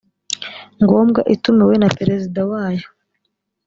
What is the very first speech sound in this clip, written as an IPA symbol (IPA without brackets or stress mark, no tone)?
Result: ŋ